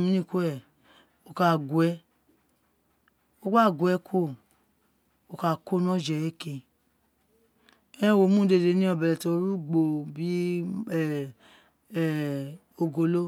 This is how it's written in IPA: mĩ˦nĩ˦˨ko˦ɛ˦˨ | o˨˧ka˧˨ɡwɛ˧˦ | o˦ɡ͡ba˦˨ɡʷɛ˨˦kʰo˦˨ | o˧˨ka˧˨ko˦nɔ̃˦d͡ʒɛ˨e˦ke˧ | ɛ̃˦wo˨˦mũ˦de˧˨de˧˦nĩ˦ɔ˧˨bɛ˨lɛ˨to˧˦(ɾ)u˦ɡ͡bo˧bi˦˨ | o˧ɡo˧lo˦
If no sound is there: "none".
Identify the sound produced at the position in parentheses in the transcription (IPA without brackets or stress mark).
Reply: ɾ